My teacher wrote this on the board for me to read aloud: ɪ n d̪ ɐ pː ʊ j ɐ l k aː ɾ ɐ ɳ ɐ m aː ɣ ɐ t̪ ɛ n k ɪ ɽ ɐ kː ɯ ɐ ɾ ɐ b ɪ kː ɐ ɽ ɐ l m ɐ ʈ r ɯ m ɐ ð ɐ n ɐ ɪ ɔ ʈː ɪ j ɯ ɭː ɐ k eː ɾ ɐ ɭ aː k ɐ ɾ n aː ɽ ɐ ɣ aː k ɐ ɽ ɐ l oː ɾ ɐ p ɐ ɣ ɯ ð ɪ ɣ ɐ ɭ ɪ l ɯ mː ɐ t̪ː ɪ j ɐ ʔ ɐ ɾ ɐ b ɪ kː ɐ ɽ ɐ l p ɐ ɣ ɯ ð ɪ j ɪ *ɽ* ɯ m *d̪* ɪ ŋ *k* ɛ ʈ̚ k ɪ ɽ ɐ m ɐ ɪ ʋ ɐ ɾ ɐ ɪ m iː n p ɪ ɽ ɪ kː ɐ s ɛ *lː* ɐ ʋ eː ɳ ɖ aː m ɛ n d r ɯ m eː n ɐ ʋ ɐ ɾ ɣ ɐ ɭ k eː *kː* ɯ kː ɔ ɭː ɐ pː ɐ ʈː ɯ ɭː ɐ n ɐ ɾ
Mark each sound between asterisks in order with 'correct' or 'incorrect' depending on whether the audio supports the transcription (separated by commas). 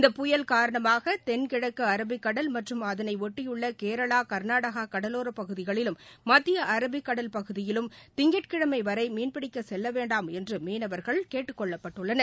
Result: incorrect, incorrect, incorrect, correct, incorrect